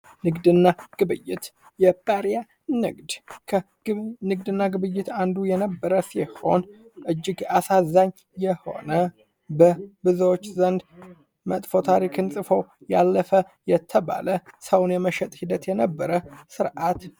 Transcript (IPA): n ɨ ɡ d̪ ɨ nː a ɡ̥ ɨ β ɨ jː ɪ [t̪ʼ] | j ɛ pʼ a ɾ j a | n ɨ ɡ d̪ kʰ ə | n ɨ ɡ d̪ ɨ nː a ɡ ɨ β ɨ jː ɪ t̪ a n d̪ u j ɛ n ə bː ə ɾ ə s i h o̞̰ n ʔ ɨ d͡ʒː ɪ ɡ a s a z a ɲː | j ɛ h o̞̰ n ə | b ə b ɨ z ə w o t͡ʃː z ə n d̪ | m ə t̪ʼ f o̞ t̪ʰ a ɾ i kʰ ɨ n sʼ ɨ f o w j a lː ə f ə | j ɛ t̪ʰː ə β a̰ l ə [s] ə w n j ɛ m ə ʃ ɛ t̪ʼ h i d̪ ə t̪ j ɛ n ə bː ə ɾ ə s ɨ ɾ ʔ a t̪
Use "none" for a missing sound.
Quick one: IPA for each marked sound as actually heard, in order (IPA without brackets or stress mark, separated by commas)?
t̪, s